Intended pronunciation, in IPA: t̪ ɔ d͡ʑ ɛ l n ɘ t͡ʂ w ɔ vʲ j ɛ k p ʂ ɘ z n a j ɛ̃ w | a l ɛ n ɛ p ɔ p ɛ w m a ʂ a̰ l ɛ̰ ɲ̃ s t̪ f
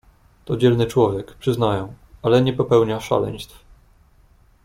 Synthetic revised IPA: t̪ ɔ d͡ʑ ɛ l n ɘ t͡ʂ w ɔ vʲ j ɛ k p ʂ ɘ z n a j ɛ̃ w | a l ɛ ɲ ɛ p ɔ p ɛ w ɲ a ʂ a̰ l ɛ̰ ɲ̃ s t̪ f